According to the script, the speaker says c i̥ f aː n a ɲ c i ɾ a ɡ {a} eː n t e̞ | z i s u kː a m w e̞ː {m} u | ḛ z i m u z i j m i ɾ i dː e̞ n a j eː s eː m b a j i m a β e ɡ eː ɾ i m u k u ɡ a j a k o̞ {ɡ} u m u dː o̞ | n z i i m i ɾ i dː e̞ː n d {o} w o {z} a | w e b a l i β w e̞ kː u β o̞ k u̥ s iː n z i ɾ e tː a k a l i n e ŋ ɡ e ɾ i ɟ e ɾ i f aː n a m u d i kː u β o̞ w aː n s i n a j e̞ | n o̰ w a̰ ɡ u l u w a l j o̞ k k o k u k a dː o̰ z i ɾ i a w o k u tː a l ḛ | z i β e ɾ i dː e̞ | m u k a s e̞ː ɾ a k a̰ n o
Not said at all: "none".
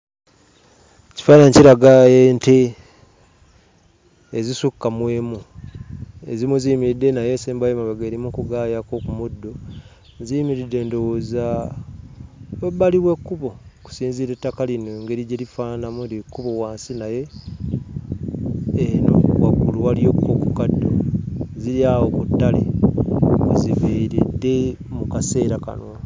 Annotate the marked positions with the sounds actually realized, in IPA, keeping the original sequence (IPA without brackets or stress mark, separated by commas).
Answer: a, m, k, o, z